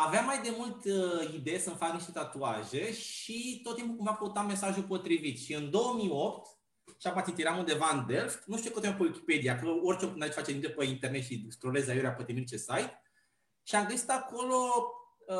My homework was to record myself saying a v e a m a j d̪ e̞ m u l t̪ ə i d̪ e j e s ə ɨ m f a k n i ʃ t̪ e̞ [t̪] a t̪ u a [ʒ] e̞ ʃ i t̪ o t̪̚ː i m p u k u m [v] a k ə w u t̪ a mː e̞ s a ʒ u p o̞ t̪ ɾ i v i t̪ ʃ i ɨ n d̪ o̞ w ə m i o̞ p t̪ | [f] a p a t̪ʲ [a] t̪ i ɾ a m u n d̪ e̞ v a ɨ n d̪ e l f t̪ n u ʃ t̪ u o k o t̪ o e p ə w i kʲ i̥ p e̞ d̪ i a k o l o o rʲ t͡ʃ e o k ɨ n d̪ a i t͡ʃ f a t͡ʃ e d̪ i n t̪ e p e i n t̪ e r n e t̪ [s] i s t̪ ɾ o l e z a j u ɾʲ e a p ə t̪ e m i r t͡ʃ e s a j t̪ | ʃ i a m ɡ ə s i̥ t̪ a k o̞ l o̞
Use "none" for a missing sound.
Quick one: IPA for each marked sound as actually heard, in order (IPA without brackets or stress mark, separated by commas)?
t̪, ʒ, v, ʃ, i, ʃ